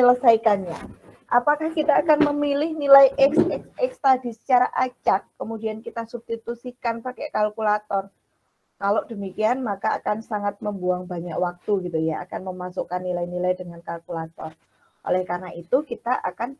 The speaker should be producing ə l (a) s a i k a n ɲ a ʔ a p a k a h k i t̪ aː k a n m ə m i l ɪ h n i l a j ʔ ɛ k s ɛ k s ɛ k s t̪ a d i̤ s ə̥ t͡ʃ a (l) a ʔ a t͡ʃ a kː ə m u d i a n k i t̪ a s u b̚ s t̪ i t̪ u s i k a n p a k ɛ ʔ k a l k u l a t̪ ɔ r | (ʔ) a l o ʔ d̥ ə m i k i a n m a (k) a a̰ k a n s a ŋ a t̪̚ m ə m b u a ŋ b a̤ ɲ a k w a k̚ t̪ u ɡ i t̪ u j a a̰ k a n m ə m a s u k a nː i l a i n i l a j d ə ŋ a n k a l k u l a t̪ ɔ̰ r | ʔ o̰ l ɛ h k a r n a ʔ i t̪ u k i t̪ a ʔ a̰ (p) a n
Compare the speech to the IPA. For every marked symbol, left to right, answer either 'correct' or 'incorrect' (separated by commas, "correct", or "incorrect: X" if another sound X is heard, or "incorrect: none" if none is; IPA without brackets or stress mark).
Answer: incorrect: ə, incorrect: ɾ, incorrect: k, correct, incorrect: k